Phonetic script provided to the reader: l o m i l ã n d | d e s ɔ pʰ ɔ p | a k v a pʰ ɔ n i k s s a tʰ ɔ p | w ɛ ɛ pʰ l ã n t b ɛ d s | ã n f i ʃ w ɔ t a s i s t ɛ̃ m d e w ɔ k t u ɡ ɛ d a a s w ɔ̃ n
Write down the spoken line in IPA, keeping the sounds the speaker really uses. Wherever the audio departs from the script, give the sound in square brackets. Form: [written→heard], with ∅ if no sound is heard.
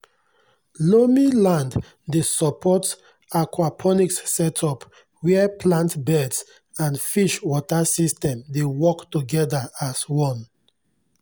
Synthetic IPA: l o m i l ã n d | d e s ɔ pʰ ɔ [p→t] | a k [v→w] a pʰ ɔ n i k s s [a→ɛ] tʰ ɔ p | w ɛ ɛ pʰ l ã n t b ɛ d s | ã n f i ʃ w ɔ t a s i s t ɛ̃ m d e w ɔ k t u ɡ ɛ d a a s w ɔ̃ n